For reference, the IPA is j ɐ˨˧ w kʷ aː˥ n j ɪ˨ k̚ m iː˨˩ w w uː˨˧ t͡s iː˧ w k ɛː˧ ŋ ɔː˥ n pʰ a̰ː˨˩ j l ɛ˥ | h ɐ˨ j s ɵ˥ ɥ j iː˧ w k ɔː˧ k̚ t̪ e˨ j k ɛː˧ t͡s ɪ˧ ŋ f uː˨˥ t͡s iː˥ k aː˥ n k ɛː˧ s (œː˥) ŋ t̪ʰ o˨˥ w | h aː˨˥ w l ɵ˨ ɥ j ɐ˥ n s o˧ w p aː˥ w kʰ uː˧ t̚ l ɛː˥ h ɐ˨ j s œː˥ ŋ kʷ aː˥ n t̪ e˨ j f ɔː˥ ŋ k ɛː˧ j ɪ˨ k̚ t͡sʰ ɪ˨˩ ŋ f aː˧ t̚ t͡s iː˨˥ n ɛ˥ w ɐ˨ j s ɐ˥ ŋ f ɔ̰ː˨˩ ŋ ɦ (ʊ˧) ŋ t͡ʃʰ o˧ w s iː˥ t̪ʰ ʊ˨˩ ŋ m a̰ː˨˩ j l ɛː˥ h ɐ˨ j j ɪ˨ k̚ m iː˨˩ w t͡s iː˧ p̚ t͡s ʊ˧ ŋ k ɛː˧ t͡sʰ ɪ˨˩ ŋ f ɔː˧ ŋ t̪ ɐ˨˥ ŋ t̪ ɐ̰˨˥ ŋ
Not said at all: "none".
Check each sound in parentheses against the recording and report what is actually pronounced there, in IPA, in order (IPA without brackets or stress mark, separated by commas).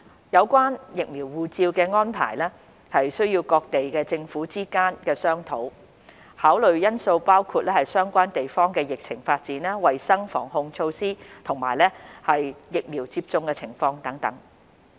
œː˥, ʊ˧